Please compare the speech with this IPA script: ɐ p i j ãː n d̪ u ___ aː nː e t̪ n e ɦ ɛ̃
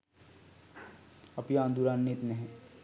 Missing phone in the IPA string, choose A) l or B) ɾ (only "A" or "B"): B